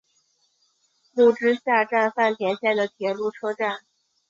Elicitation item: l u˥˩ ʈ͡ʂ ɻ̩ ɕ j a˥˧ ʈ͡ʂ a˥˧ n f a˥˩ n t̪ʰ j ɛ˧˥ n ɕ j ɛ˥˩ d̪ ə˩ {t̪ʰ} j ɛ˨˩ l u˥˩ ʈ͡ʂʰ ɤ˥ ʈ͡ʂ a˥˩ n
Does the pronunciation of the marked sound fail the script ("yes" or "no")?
no